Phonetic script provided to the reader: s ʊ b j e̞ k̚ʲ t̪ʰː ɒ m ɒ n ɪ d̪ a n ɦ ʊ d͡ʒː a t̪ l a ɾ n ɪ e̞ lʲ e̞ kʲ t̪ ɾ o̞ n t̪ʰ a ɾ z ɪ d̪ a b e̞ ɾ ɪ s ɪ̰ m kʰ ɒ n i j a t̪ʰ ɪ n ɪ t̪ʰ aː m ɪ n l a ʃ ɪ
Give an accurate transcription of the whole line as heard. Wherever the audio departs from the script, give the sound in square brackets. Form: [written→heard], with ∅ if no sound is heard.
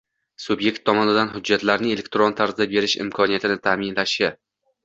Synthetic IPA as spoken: s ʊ b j e̞ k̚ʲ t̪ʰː ɒ m ɒ n ɪ d̪ a n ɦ ʊ d͡ʒː a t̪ l a ɾ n ɪ e̞ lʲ e̞ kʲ t̪ ɾ o̞ n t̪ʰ a ɾ z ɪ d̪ a b e̞ ɾ ɪ [s→ʃ] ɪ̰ m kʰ ɒ n i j a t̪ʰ ɪ n ɪ t̪ʰ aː m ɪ n l a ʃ ɪ

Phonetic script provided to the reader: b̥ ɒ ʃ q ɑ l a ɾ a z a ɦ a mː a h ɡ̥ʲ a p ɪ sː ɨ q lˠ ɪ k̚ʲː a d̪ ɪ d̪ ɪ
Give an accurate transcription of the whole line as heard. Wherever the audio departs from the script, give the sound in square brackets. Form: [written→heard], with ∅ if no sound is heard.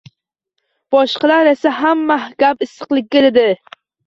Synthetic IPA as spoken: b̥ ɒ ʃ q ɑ l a ɾ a [z→s] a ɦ a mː a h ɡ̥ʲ a p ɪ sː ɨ q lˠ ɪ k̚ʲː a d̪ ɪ d̪ ɪ

